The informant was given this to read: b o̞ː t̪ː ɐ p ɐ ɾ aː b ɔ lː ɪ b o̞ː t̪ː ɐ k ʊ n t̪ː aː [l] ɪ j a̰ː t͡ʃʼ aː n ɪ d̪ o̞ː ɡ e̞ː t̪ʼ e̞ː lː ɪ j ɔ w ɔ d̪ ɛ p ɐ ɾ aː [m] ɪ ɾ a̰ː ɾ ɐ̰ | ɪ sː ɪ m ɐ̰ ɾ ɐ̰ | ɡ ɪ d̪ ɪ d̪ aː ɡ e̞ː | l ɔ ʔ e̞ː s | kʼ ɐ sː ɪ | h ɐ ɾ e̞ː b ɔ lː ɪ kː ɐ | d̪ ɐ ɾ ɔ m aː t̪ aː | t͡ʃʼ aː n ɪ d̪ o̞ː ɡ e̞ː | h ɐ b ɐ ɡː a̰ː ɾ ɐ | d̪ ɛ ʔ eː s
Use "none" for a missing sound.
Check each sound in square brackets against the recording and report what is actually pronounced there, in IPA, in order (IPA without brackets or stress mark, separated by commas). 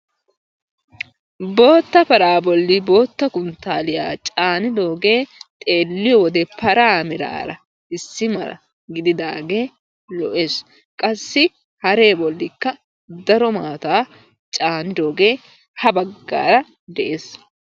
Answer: l, m